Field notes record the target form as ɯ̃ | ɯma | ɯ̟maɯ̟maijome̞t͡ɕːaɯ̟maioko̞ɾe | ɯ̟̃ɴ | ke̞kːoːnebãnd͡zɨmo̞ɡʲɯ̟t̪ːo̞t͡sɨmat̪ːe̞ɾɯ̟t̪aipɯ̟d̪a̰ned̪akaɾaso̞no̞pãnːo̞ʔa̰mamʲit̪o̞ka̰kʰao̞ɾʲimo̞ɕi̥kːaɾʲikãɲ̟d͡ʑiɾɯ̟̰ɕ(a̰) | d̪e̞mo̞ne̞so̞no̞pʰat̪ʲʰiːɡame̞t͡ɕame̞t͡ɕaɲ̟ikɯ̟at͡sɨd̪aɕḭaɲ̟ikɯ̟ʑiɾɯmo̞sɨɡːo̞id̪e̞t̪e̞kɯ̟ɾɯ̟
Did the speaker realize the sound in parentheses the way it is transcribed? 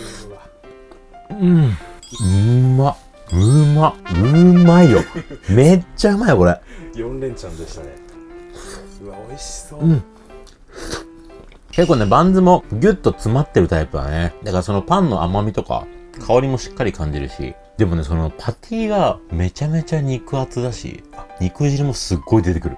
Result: no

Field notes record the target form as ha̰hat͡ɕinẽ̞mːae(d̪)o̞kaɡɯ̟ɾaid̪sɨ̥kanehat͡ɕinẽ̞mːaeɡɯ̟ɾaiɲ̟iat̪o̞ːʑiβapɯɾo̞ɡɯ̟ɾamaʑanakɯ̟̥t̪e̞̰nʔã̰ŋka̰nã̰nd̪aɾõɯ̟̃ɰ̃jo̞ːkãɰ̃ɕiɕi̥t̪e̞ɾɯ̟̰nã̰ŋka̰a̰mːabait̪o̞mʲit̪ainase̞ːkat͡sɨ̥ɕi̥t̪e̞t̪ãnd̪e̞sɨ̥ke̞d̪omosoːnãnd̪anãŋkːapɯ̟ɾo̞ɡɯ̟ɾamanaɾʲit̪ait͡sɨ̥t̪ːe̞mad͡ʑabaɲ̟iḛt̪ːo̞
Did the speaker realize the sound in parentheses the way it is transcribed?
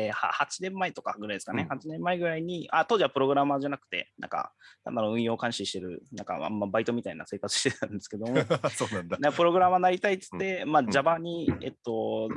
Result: no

